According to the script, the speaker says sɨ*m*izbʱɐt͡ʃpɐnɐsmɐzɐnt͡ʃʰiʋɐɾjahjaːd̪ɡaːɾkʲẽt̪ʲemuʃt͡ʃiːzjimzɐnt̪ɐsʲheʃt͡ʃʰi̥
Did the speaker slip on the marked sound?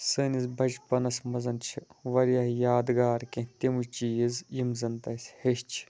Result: yes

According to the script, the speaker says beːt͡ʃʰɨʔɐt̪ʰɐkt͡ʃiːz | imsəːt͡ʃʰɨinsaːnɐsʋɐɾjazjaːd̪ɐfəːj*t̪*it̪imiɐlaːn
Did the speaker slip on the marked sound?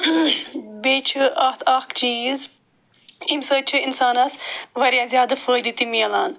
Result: yes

